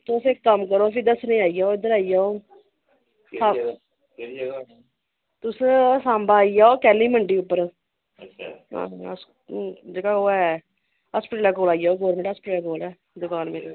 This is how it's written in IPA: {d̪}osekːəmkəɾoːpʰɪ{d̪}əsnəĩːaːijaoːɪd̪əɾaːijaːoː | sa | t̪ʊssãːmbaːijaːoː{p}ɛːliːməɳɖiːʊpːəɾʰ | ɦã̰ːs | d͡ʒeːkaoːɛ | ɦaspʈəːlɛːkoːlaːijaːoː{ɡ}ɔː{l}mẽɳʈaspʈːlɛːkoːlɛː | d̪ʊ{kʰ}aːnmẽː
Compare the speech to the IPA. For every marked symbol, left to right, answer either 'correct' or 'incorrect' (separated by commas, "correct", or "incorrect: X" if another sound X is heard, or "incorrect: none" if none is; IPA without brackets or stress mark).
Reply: incorrect: t̪, correct, incorrect: k, correct, incorrect: ɾ, incorrect: k